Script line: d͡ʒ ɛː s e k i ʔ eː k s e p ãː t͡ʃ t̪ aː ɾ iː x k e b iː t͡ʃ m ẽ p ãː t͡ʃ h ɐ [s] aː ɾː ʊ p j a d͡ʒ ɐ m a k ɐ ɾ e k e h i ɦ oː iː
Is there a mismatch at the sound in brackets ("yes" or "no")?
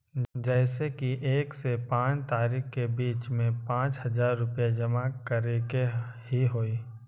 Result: yes